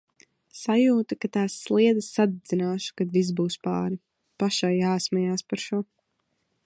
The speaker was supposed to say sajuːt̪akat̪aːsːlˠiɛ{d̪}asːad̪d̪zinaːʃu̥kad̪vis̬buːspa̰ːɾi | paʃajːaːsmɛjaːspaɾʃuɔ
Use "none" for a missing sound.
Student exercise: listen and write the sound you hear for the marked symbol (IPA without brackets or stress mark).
d̪